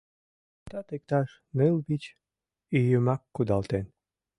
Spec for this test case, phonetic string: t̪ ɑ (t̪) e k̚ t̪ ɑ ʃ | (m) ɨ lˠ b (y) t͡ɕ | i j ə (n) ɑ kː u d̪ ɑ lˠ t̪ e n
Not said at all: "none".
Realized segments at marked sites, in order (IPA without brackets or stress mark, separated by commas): t̪, n, i, m